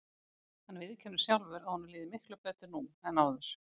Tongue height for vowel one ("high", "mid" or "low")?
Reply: low